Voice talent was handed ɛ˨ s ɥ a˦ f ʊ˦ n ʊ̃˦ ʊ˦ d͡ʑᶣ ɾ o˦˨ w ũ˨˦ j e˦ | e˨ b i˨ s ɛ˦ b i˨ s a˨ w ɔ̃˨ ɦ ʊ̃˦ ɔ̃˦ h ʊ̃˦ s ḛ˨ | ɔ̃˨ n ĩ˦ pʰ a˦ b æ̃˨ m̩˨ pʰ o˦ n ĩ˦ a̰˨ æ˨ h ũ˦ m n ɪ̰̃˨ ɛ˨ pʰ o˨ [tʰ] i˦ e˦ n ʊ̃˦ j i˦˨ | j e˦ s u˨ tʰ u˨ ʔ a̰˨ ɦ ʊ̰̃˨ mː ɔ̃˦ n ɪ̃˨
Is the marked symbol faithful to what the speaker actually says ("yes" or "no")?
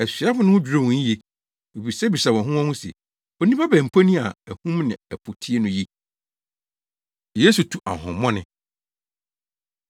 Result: yes